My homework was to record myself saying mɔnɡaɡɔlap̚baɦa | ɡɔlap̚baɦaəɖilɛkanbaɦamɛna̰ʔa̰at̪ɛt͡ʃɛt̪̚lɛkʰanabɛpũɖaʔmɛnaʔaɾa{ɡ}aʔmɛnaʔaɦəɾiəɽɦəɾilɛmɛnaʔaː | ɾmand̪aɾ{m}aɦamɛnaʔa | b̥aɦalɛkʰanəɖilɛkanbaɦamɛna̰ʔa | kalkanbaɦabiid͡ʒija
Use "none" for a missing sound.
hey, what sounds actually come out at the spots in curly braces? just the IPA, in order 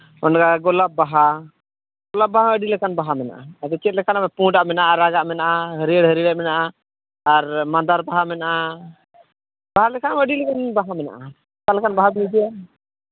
ɡ, b

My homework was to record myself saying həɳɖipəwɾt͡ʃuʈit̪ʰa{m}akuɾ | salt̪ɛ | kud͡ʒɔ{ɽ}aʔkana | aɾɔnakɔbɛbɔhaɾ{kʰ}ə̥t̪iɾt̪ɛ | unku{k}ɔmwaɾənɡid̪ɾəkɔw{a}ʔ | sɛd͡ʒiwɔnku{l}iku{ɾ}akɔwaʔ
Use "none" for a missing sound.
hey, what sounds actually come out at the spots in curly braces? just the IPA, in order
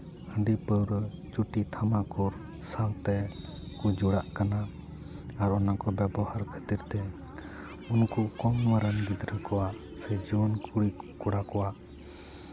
m, ɽ, kʰ, k, a, ɽ, ɽ

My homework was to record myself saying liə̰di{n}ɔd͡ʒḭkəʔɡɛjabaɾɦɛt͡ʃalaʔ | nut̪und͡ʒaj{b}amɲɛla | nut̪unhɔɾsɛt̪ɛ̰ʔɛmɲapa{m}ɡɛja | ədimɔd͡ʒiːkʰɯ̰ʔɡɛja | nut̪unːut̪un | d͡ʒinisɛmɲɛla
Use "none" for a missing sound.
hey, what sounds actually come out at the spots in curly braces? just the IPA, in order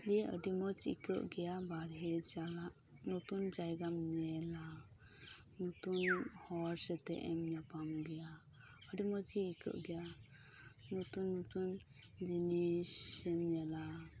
m, ɡ, m

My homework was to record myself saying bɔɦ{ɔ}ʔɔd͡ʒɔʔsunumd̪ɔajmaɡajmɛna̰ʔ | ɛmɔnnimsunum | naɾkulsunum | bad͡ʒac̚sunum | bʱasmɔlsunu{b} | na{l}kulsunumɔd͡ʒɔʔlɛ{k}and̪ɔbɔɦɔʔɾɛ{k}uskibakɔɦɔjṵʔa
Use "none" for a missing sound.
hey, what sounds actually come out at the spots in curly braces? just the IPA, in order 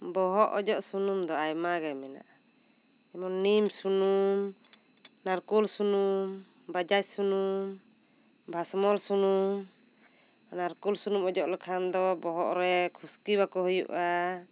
ɔ, m, ɾ, kʰ, kʰ

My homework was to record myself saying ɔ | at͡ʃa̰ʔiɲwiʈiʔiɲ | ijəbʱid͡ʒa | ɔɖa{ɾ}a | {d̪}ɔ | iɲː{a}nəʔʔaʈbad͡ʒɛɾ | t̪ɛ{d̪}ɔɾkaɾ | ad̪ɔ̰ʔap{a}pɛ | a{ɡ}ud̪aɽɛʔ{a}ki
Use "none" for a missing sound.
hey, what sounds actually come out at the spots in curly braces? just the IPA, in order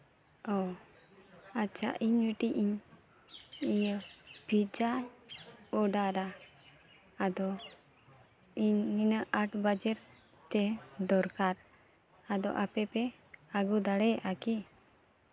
ɾ, d̪, i, d̪, ɛ, ɡ, a

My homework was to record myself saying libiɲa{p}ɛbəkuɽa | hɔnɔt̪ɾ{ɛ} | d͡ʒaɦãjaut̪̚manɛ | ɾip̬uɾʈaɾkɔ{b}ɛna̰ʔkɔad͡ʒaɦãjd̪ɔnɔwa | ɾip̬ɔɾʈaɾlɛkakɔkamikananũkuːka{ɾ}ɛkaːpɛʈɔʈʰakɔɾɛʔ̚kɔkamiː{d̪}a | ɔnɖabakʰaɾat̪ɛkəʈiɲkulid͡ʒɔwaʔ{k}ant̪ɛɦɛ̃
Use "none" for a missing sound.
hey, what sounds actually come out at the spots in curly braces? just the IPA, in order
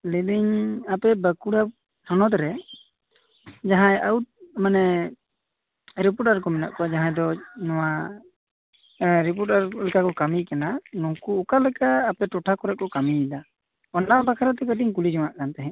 p, ɛ, m, l, d̪, k

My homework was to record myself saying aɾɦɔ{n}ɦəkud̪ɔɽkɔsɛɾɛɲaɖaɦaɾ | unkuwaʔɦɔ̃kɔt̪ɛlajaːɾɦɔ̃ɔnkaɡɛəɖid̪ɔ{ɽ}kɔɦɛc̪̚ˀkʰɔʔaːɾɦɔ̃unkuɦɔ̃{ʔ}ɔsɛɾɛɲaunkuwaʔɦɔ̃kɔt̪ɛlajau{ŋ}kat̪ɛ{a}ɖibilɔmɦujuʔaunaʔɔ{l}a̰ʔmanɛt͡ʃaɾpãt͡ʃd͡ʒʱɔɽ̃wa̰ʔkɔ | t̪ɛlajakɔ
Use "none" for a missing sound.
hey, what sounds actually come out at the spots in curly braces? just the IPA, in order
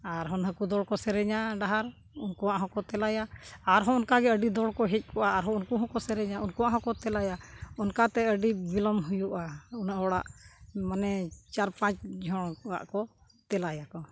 n, ɽ, k, n, ə, ɽ

